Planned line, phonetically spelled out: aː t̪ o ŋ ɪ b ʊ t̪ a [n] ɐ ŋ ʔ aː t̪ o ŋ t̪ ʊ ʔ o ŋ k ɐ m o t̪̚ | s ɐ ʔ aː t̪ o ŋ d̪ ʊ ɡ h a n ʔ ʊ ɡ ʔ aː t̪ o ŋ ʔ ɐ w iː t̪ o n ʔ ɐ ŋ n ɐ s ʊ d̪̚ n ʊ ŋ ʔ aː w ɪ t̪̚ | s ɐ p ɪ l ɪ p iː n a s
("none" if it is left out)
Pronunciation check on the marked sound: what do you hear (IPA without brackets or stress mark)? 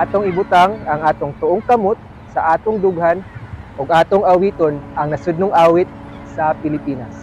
ŋ